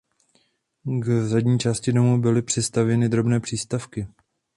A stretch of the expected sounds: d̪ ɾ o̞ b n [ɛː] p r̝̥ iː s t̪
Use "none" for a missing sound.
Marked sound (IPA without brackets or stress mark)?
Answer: ɛː